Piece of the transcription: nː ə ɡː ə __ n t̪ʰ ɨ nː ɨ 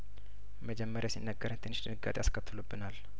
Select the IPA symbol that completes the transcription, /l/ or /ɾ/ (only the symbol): ɾ